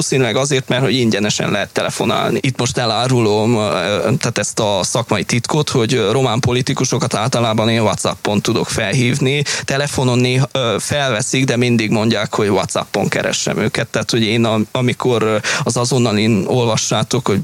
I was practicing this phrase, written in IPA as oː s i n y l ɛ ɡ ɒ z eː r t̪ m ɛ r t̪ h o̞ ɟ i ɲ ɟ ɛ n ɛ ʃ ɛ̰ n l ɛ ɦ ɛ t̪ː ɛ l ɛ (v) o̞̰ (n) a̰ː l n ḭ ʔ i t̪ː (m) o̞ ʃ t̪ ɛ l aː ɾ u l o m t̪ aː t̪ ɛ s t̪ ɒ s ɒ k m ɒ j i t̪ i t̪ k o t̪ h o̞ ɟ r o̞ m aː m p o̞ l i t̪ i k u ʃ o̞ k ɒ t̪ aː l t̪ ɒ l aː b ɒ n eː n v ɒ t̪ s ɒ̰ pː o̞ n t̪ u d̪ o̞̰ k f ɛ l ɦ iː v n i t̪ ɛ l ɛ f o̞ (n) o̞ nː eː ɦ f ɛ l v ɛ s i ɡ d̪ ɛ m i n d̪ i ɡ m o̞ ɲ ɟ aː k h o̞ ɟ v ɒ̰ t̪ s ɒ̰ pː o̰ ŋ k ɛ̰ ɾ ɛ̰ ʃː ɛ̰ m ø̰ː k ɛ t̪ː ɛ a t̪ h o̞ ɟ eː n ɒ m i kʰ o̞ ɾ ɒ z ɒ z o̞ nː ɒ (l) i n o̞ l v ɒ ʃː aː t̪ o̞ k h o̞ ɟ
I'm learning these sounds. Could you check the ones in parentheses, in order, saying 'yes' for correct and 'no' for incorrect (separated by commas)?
no, yes, yes, yes, yes